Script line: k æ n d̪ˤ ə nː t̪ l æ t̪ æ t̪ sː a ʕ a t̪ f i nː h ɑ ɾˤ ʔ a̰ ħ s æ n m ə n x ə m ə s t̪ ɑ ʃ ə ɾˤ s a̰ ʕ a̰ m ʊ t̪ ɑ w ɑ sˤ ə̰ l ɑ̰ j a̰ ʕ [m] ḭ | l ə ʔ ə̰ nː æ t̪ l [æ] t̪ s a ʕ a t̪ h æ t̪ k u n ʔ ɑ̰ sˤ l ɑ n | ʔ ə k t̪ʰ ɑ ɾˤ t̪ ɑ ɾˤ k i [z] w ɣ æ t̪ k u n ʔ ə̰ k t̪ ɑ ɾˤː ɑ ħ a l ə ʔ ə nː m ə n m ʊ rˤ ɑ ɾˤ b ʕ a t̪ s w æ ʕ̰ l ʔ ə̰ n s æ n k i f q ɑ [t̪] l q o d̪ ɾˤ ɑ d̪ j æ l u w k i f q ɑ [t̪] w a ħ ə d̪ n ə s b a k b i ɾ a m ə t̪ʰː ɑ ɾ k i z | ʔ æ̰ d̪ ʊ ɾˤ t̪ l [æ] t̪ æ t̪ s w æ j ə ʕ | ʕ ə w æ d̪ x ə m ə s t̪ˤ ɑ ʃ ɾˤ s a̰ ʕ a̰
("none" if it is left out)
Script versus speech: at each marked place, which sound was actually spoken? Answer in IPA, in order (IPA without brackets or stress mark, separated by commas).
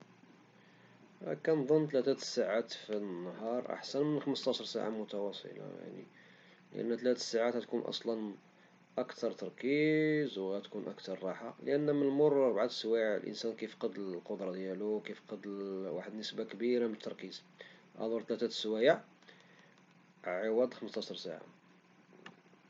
n, æ, z, d̪, d̪, æ